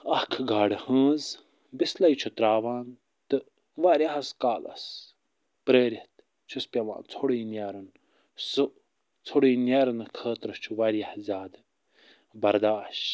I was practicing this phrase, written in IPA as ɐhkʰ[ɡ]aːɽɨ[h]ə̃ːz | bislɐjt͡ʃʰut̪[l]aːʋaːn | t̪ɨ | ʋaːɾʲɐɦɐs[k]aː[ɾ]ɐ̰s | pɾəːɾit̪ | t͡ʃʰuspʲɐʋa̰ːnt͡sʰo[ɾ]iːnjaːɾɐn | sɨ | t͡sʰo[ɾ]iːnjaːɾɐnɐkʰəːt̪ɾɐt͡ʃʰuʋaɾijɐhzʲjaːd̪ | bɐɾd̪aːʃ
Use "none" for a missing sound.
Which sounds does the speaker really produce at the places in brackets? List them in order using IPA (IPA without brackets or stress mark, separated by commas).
ɡ, h, ɾ, k, l, ɽ, ɽ